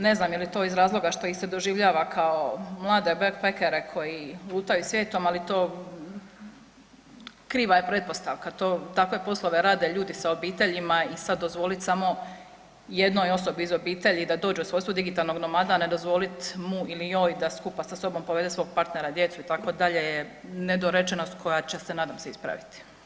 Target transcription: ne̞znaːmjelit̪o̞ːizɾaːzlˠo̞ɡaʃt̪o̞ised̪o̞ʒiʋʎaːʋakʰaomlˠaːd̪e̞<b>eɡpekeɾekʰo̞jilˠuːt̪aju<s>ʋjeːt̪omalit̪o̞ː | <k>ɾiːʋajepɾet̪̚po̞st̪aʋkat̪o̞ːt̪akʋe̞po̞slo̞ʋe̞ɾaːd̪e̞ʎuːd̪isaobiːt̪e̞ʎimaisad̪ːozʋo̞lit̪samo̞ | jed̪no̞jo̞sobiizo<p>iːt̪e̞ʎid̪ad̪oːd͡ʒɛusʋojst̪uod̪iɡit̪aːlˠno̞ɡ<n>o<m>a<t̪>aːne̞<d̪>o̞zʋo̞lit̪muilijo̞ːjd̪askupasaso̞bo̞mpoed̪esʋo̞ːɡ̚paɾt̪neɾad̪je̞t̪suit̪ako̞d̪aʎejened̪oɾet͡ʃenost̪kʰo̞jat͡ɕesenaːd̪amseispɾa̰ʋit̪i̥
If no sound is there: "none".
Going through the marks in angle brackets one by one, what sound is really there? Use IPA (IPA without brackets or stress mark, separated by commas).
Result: b, s, k, b, n, m, d̪, d̪